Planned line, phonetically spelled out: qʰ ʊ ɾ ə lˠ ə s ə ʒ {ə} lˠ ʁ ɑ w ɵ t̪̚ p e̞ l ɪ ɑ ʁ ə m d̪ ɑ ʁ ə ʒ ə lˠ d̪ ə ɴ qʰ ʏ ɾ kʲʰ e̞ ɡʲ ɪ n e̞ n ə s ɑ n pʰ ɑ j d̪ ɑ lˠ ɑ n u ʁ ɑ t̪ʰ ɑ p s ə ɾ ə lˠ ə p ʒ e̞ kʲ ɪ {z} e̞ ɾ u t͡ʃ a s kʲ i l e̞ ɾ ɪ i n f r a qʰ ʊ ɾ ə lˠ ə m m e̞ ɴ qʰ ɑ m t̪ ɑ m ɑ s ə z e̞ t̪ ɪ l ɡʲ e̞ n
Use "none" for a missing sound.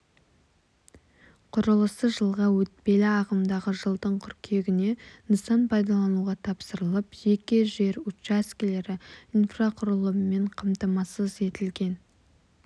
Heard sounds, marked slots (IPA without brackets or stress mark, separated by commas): ə, ʒ